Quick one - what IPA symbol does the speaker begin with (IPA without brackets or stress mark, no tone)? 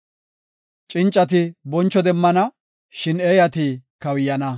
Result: t͡ʃʼ